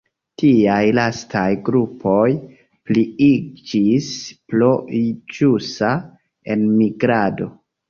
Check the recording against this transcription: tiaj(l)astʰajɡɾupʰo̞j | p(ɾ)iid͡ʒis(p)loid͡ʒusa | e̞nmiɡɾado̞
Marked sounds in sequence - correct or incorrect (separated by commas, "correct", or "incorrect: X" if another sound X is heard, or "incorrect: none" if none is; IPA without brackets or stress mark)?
correct, incorrect: l, correct